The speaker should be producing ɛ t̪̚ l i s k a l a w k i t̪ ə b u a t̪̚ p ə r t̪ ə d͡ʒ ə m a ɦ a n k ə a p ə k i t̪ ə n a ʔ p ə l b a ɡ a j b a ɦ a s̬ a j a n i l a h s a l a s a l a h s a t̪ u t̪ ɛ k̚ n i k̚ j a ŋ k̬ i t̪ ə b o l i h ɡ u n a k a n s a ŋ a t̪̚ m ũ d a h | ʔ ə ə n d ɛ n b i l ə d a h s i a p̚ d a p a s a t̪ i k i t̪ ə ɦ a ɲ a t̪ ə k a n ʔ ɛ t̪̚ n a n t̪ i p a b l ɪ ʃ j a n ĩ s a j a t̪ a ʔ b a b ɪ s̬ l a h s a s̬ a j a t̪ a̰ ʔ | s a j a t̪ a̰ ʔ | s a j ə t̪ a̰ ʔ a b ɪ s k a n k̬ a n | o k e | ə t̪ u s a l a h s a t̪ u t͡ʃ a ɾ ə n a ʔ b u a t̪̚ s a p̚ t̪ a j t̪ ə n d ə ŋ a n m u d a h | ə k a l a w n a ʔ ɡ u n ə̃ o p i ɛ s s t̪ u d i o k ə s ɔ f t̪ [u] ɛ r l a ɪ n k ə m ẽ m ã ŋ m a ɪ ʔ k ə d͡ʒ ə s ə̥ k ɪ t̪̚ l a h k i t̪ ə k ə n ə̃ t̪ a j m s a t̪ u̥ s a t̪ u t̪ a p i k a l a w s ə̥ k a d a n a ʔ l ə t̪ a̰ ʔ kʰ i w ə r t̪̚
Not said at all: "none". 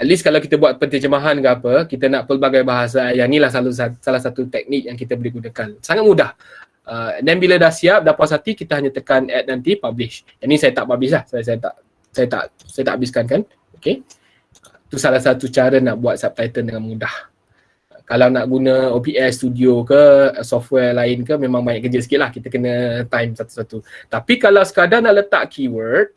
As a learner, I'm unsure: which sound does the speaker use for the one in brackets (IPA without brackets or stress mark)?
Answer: w